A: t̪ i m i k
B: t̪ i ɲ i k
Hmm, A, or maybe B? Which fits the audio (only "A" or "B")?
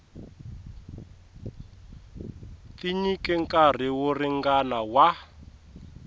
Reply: B